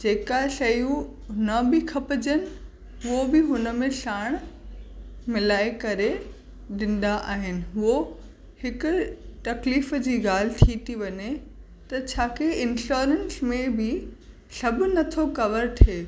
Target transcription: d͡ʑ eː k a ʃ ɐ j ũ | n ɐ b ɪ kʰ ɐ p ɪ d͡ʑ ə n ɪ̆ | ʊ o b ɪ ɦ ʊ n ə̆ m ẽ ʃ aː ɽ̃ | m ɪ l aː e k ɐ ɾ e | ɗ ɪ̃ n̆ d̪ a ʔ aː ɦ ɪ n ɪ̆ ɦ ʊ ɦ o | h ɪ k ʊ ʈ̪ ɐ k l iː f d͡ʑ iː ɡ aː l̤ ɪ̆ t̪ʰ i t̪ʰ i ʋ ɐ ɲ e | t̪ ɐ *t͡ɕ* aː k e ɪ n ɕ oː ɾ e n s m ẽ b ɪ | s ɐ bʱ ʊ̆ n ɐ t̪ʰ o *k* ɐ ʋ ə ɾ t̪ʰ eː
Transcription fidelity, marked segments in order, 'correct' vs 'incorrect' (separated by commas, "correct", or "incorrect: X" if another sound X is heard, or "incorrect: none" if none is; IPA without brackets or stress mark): incorrect: t͡ɕʰ, correct